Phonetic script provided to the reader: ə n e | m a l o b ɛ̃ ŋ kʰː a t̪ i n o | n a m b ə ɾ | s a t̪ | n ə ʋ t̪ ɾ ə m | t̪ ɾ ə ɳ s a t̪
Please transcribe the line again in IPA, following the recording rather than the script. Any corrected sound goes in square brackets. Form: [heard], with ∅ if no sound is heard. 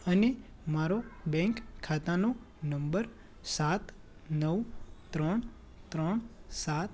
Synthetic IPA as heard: ə n e | m a [ɾ] o b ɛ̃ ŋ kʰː a t̪ [a] n o | n [ə] m b ə ɾ | s a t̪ | n ə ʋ t̪ ɾ ə [ɳ] | t̪ ɾ ə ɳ s a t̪